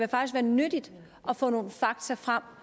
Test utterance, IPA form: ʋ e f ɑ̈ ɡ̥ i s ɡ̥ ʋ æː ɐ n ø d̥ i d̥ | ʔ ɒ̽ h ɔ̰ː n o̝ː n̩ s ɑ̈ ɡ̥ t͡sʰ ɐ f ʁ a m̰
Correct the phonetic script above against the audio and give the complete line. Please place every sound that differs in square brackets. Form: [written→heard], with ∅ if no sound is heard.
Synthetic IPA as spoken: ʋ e f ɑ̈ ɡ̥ i s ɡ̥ ʋ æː ɐ n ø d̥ i d̥ | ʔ ɒ̽ [h→f] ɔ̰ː n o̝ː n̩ [s→f] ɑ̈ ɡ̥ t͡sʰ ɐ f ʁ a m̰